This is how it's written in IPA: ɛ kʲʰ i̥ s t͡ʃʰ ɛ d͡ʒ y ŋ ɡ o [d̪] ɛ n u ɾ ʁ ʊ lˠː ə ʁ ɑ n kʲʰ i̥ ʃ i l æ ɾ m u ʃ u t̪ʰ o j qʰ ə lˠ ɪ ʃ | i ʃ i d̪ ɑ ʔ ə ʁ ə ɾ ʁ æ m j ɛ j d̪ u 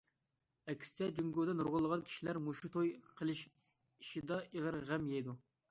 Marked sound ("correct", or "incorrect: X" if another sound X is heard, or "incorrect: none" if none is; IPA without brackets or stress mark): correct